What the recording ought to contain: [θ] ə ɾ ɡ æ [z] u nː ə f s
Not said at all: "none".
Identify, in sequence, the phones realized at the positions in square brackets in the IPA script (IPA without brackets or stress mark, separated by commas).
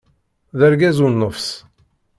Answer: ð, z